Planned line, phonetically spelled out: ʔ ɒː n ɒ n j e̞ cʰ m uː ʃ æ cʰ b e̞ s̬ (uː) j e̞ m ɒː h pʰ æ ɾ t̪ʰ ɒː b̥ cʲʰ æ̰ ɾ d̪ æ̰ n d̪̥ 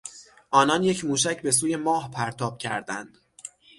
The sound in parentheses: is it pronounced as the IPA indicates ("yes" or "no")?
yes